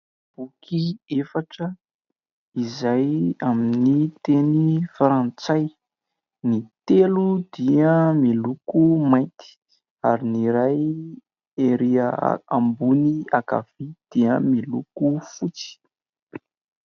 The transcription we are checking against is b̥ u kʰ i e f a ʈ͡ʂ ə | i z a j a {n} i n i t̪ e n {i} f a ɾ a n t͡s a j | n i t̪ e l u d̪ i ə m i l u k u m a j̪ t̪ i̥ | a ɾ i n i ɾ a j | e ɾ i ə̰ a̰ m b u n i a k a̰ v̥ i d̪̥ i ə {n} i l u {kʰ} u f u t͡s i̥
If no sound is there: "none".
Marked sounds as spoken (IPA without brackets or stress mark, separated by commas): m, i, m, k